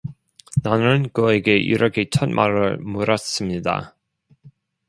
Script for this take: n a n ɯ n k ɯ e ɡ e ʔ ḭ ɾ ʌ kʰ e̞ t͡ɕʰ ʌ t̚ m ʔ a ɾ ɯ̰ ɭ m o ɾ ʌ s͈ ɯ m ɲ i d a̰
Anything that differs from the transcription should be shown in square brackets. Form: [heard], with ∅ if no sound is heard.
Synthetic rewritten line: n a n ɯ n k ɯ e ɡ e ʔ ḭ ɾ ʌ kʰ e̞ t͡ɕʰ ʌ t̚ m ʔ a ɾ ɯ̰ ɭ m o ɾ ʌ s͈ ɯ m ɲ i d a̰